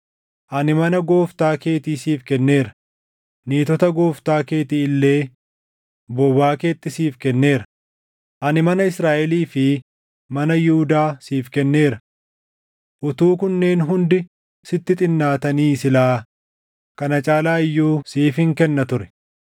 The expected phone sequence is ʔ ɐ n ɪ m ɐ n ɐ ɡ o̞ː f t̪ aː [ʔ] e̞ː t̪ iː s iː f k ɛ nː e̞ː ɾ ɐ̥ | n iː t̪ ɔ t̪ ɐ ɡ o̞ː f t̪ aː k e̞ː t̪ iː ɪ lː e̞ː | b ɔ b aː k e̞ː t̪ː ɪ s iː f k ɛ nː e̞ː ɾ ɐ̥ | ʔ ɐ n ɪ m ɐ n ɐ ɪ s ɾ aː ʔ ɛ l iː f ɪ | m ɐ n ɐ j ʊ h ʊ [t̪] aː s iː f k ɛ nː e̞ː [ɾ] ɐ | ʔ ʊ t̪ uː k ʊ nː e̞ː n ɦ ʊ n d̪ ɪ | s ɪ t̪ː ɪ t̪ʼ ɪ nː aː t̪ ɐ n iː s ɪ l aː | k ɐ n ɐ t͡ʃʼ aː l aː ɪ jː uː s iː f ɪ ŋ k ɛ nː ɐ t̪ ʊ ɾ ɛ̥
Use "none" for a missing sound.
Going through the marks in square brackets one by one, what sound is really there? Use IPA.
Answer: k, d̪, ɾ

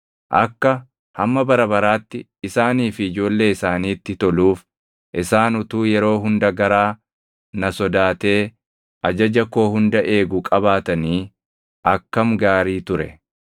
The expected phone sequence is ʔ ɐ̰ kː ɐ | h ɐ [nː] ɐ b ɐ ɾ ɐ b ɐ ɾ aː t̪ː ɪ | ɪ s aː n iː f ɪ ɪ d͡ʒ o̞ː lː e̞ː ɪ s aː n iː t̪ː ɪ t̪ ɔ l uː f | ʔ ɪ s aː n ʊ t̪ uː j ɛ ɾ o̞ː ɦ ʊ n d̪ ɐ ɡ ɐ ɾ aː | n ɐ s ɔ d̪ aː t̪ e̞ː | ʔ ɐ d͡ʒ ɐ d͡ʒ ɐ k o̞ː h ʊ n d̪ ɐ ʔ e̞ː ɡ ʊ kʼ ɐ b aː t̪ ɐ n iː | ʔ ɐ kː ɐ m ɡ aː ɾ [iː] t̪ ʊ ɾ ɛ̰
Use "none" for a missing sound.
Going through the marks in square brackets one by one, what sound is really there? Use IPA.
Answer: mː, iː

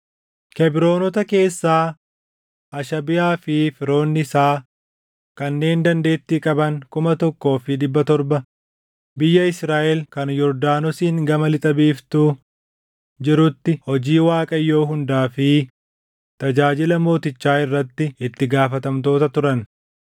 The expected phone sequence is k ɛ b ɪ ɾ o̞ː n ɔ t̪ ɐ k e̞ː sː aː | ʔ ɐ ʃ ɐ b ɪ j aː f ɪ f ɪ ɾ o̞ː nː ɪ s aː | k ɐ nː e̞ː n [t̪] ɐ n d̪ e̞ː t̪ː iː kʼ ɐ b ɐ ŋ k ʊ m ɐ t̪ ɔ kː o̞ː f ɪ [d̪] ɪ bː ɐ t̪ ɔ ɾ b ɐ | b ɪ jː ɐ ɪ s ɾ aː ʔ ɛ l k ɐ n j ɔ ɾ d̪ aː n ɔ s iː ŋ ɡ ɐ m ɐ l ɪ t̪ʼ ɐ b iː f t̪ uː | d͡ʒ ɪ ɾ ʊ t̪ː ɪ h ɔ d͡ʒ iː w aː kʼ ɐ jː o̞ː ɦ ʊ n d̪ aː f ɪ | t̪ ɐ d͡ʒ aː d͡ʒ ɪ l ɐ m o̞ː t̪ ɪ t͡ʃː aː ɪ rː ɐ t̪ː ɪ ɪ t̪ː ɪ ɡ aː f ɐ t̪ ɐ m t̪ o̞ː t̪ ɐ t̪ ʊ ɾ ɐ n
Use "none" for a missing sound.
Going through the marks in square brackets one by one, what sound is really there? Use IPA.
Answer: d̪, d̪

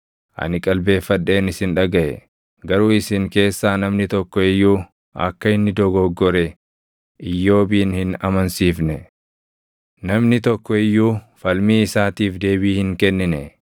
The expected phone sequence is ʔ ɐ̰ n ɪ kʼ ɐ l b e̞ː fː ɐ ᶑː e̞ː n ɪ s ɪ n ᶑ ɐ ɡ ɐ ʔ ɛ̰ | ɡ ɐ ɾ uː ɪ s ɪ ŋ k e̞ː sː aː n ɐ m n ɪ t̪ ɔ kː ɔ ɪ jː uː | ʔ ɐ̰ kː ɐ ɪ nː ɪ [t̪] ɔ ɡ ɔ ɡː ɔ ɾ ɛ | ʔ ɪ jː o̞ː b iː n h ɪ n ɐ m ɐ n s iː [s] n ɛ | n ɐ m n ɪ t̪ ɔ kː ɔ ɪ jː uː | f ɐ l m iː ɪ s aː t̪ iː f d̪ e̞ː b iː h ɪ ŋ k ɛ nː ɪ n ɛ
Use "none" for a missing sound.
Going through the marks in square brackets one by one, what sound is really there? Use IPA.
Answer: d̪, f

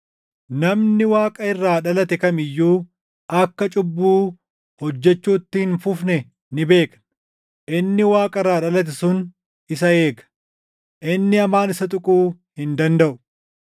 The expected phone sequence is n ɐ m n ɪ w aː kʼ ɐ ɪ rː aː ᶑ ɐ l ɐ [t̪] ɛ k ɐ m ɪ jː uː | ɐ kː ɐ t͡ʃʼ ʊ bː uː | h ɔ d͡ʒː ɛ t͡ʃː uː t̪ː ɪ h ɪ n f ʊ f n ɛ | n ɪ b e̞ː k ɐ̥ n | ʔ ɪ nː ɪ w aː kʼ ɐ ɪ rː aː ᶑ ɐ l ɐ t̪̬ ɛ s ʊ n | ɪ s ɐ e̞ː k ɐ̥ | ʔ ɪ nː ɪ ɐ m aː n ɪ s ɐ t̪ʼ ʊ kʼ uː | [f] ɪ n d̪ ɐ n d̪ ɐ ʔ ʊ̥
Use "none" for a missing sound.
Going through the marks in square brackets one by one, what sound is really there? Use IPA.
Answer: t̪, h

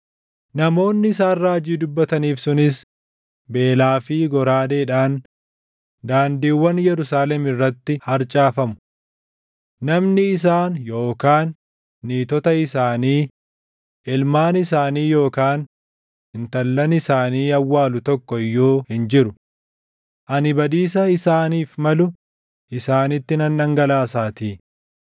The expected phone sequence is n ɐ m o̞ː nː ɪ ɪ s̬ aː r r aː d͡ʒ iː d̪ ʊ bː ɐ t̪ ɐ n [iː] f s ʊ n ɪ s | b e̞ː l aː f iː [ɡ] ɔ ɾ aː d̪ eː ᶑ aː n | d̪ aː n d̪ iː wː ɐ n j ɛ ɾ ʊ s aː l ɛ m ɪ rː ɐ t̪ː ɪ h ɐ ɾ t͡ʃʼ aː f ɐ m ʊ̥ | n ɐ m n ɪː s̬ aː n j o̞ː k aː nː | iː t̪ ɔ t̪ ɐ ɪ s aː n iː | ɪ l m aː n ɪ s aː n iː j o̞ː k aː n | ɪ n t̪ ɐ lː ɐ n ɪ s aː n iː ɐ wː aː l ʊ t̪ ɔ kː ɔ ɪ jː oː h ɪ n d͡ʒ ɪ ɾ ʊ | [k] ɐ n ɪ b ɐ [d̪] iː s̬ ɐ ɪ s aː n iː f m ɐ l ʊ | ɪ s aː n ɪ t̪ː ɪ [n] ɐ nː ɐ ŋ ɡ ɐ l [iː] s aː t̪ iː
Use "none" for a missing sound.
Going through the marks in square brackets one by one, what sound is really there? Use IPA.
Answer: iː, ɡ, ʔ, d̪, n, aː

